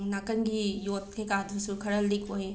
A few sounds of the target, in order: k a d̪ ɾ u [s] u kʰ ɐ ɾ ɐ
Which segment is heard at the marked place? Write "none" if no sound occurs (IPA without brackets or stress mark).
s